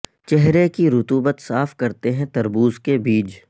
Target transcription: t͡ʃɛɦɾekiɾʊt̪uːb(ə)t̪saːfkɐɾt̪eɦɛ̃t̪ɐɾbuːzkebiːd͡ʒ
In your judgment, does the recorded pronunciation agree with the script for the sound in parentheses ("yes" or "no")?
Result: yes